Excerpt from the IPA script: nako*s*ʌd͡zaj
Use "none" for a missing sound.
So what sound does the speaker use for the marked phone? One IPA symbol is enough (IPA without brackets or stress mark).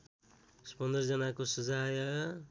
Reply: s